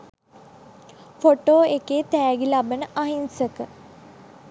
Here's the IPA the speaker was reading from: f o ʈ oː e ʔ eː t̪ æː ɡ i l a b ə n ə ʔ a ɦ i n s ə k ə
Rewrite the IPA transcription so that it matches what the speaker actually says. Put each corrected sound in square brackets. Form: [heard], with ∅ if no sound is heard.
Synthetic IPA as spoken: f o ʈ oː e [k] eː t̪ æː ɡ i l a b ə n ə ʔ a ɦ i n s ə k ə